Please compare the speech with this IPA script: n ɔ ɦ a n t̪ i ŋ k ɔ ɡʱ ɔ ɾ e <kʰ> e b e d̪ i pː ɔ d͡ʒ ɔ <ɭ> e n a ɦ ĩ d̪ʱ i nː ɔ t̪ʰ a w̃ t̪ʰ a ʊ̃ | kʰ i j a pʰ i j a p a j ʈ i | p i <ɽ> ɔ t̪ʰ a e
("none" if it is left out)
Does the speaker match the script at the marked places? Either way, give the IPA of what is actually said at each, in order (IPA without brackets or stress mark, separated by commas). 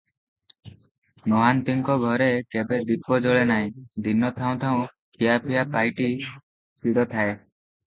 k, ɭ, ɽ